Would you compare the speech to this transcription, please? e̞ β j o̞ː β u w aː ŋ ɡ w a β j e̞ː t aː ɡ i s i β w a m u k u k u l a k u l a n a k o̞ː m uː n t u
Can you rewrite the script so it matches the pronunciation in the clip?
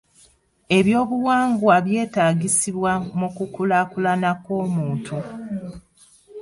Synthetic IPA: e̞ β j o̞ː β u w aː ŋ ɡ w a β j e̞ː t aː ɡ i s i β w a m u k u k u l a k u l a n a k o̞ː m uː n t u